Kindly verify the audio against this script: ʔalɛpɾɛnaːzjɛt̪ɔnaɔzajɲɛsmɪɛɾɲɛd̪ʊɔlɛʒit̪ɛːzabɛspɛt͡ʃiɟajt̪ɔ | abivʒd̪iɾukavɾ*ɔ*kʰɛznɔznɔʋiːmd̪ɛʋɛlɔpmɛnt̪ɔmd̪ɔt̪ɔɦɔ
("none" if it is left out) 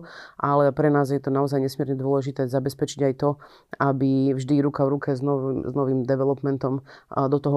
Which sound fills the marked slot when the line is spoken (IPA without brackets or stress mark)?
u